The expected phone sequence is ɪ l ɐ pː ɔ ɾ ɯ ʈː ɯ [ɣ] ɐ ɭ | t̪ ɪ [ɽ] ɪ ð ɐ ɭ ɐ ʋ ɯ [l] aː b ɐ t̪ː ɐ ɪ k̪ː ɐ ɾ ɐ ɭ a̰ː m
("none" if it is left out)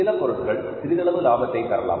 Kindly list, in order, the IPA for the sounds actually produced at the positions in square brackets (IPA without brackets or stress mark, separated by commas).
ɣ, ɾ, l